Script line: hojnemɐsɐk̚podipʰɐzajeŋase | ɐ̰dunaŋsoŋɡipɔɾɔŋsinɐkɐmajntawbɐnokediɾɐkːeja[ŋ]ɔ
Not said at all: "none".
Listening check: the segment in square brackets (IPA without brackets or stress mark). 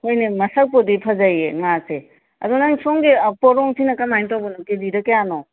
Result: n